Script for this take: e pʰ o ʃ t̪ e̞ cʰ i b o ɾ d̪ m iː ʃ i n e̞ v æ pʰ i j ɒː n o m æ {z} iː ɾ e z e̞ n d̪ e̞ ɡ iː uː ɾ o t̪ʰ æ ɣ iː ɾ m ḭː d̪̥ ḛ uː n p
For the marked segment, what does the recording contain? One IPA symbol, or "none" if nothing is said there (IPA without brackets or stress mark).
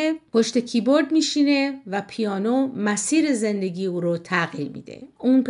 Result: s